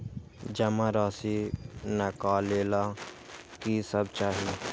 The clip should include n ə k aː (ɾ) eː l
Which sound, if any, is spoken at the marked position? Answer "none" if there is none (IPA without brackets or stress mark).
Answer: l